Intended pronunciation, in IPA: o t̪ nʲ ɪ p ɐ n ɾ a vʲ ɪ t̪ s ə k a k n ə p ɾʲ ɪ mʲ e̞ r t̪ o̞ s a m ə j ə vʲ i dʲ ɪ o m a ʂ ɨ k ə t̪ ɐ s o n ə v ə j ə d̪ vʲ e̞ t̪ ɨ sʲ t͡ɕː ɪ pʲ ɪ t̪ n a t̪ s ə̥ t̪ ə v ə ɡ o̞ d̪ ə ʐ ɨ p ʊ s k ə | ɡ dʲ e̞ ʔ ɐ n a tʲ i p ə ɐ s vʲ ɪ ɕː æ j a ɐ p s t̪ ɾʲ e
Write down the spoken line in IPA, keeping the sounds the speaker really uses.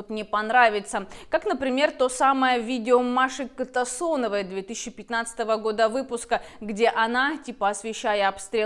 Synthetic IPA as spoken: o t̪ nʲ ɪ p ɐ n ɾ a vʲ ɪ t̪ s ə k a k n ə p ɾʲ ɪ mʲ e̞ r t̪ o̞ s a m ə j ə vʲ i dʲ ɪ o m a ʂ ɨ k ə t̪ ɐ s o n ə v ə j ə d̪ vʲ e̞ t̪ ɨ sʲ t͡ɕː ɪ pʲ ɪ t̪ n a t̪ s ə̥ t̪ ə v ə ɡ o̞ d̪ ə v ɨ p ʊ s k ə | ɡ dʲ e̞ ʔ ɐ n a tʲ i p ə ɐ s vʲ ɪ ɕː æ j ə ɐ p s t̪ ɾʲ e

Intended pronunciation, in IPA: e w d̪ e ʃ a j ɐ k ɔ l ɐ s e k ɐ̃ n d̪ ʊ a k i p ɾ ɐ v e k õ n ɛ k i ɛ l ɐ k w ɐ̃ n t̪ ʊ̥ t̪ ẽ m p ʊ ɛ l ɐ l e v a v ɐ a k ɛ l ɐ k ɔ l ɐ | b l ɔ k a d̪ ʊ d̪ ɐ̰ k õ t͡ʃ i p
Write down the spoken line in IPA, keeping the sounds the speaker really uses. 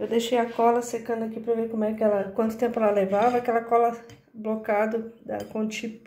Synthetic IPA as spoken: e w d̪ e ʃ e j ɐ k ɔ l ɐ s e k ɐ̃ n d̪ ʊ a k i p ɾ ɐ v e k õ m ɛ k ɪ ɛ l ɐ k w ɐ̃ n t̪ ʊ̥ t̪ ẽ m p ʊ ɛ l ɐ l e v a v ɐ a k ɛ l ɐ k ɔ l ɐ | b l o k a d̪ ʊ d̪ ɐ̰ k õ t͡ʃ i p

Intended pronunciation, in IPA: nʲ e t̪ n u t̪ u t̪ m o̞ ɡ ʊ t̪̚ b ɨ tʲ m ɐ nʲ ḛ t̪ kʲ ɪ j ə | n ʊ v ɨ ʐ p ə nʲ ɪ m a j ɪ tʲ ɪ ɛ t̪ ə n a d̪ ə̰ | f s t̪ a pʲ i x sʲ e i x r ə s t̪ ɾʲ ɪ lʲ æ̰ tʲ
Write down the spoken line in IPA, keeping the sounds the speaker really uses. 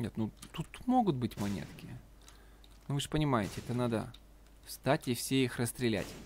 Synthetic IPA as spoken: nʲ e t̪ n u t̪ u t̪ m o̞ ɡ ʊ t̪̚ b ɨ tʲ m ɐ nʲ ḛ t̪ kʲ ɪ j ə | n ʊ v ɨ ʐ p ə nʲ ɪ m a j ɪ tʲ ɪ ɛ t̪ ə n a d̪ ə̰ | f s t̪ a tʲ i f sʲ e i x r ə s t̪ ɾʲ ɪ lʲ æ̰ tʲ

